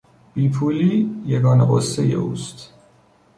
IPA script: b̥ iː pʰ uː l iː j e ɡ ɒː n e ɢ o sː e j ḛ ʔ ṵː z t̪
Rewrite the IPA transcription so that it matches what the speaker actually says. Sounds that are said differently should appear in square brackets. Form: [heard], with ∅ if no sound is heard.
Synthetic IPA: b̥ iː pʰ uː l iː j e ɡ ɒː n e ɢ o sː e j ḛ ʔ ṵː [s] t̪